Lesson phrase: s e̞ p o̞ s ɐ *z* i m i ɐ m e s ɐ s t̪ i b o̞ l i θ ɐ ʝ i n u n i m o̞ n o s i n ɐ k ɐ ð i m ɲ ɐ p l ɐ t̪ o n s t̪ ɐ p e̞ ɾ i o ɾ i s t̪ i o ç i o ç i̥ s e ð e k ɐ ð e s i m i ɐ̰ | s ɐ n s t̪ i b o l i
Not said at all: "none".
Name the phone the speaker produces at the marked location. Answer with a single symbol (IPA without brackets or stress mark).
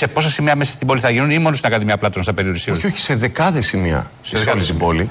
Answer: s